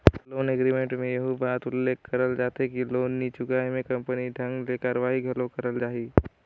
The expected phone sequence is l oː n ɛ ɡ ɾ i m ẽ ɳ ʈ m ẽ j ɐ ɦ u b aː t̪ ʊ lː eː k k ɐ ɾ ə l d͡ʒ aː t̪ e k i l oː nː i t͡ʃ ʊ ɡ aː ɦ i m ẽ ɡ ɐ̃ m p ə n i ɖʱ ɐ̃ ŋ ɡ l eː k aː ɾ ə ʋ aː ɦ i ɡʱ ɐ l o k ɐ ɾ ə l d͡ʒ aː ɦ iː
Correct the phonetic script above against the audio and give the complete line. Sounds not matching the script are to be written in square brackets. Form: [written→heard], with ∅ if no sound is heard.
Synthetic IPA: l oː n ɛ ɡ ɾ i m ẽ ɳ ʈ m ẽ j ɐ ɦ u b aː t̪ ʊ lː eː k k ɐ ɾ ə l d͡ʒ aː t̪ e k i l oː nː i t͡ʃ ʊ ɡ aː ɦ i m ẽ [ɡ→k] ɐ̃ m p ə n i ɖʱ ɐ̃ ŋ ɡ l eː k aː ɾ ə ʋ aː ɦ i ɡʱ ɐ l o k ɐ ɾ ə l d͡ʒ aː ɦ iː